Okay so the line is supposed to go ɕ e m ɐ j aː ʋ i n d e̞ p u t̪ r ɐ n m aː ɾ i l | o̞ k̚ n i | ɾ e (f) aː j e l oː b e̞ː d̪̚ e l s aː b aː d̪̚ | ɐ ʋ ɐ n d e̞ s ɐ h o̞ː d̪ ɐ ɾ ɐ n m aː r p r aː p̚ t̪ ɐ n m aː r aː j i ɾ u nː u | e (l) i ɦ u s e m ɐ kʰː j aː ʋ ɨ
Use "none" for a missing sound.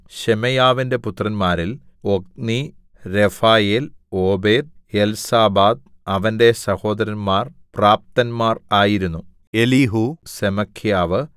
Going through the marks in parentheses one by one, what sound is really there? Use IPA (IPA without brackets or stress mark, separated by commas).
f, l